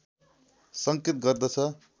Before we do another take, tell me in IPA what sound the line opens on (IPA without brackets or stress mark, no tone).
s